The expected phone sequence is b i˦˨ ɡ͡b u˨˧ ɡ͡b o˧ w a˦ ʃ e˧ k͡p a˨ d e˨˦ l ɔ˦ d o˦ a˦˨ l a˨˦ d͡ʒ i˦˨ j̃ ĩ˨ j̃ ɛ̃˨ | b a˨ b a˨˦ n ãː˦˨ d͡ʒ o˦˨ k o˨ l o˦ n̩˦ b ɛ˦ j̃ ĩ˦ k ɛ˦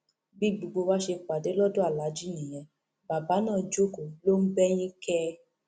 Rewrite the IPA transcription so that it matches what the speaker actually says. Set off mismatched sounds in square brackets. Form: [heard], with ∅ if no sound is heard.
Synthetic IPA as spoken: b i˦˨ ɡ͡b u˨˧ ɡ͡b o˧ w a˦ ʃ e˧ k͡p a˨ d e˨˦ l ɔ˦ d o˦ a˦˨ l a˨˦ d͡ʒ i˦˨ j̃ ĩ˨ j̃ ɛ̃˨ | b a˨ b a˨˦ n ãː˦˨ d͡ʒ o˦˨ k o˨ l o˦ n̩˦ b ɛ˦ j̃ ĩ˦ k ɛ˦